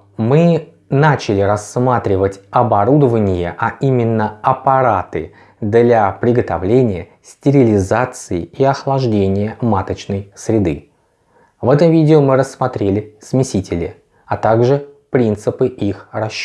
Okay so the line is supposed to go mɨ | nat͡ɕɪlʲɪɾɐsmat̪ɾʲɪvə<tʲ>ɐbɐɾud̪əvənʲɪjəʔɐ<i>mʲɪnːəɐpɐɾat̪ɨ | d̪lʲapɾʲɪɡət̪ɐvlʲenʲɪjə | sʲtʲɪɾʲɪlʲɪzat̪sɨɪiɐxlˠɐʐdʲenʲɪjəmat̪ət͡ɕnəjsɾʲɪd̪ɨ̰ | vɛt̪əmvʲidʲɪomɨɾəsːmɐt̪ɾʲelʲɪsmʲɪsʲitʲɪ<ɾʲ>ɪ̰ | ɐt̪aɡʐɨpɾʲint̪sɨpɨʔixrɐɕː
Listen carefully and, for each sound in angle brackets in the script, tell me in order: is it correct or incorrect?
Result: correct, correct, incorrect

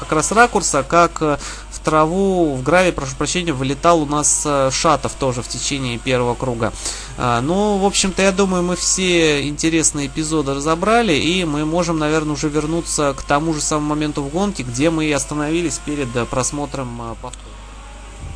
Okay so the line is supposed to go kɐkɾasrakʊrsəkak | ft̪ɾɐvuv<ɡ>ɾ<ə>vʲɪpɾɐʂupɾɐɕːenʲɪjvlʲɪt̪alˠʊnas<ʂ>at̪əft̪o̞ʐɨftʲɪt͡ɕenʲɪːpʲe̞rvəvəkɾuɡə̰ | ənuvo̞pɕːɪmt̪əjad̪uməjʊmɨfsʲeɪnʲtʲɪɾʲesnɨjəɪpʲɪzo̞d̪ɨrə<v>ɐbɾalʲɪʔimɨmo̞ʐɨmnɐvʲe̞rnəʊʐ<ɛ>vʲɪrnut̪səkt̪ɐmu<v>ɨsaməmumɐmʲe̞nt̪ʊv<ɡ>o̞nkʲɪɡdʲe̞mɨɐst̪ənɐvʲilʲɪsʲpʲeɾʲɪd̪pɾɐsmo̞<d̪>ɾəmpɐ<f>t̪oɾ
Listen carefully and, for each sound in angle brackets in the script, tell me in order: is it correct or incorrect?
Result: correct, incorrect, correct, incorrect, correct, incorrect, correct, incorrect, correct

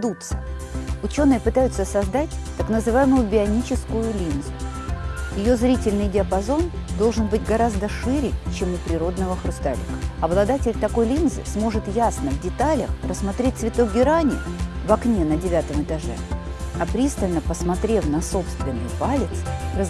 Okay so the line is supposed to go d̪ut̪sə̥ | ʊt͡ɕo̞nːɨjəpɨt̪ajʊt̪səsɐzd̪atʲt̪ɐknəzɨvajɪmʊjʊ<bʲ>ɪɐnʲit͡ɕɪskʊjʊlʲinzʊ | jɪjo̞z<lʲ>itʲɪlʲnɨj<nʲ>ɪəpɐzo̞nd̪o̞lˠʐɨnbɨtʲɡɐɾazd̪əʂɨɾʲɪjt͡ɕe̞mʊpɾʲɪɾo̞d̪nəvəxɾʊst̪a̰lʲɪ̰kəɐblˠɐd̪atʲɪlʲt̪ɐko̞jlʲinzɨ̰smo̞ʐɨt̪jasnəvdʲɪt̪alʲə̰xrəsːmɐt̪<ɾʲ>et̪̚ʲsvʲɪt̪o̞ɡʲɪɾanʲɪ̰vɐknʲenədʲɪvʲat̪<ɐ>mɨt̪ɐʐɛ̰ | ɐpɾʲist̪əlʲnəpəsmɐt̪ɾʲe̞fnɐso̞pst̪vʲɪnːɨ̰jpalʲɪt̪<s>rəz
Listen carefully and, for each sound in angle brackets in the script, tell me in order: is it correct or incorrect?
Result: correct, incorrect, incorrect, correct, incorrect, correct

